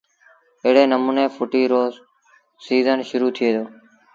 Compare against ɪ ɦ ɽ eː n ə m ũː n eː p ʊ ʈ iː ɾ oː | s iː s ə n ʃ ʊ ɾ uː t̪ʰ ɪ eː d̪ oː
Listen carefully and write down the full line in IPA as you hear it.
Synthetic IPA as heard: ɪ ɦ ɽ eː n ə m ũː n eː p ʊ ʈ iː ɾ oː | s iː z ə n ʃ ʊ ɾ uː t̪ʰ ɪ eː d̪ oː